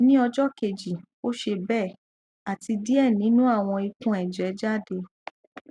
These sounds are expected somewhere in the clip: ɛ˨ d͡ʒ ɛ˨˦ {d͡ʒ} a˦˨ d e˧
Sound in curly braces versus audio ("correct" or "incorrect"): correct